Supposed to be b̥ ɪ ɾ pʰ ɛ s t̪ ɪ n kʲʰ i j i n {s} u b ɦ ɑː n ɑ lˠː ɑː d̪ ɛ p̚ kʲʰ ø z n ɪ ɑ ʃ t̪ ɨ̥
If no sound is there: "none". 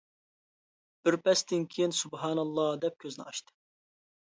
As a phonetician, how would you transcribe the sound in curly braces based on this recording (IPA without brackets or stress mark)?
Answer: s